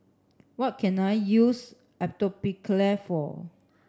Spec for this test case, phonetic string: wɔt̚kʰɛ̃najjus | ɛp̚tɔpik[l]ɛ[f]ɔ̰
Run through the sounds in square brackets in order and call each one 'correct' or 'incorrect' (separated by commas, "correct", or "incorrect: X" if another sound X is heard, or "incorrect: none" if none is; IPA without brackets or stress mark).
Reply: correct, correct